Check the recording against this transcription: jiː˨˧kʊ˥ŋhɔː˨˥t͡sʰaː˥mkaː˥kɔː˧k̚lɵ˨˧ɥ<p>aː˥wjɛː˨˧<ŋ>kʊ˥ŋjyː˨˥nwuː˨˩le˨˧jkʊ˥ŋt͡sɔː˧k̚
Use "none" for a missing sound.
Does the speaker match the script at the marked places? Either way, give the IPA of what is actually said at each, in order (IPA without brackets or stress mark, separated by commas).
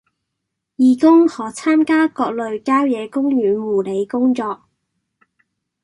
k, none